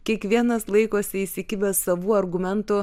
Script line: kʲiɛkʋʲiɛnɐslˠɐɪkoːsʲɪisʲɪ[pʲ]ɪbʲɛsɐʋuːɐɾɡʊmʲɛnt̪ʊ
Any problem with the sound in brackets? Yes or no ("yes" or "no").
yes